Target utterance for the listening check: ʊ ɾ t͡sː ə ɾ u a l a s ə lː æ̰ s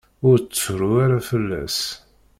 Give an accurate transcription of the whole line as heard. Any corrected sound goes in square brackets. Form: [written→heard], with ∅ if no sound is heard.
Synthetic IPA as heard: ʊ ɾ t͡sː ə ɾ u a [l→ɾ] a [s→f] ə lː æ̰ s